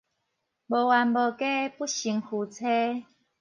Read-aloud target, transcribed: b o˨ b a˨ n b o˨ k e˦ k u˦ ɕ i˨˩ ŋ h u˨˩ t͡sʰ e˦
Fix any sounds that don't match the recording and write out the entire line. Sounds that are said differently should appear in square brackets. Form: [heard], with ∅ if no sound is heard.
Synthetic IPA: b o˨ [w] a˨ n b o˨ k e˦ [p] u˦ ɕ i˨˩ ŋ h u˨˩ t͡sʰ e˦